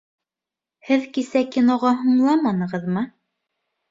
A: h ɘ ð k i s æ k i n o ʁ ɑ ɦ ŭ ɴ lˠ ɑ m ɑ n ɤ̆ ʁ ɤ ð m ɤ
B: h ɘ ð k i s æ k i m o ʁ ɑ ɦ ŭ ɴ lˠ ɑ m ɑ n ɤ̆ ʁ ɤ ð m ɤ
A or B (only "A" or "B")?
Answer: A